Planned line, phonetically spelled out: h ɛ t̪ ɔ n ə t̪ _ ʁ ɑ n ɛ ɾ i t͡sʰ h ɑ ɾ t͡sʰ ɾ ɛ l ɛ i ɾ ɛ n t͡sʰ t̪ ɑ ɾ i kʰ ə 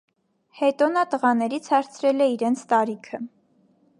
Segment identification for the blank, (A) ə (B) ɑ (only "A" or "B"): A